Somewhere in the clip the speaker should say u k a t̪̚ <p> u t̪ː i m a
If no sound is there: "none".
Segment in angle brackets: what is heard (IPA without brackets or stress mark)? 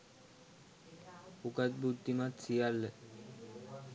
b